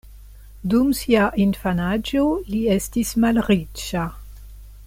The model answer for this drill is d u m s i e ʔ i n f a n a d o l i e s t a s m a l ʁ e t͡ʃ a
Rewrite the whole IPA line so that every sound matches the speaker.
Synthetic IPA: d u m s i a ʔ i n f a n a d͡ʒ o l i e s t i s m a l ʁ i t͡ʃ a